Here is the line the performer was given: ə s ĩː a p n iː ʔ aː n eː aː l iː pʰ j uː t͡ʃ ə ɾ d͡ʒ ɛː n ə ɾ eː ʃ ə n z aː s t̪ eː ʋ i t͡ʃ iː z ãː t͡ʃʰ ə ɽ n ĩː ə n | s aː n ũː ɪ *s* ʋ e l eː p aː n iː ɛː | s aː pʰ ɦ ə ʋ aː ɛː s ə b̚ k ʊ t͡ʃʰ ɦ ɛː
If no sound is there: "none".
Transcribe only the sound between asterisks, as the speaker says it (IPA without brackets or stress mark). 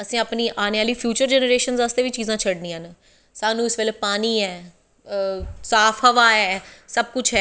s